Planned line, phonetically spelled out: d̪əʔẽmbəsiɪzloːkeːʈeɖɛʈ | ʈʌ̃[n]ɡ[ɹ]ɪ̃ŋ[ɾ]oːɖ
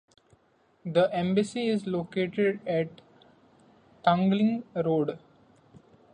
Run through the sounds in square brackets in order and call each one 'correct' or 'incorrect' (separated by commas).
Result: incorrect, incorrect, correct